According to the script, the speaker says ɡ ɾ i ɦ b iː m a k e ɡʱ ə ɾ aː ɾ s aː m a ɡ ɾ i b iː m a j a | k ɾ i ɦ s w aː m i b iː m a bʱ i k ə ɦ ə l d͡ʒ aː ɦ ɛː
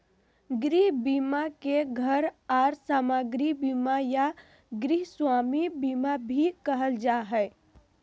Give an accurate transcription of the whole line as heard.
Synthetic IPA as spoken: ɡ ɾ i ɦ b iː m a k e ɡʱ ə ɾ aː ɾ s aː m a ɡ ɾ i b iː m a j a | ɡ ɾ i ɦ s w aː m i b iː m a bʱ i k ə ɦ ə l d͡ʒ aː ɦ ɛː